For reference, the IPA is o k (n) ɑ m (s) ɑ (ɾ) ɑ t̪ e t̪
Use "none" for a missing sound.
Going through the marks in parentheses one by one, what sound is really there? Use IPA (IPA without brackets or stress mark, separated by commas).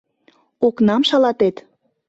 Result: n, ʃ, l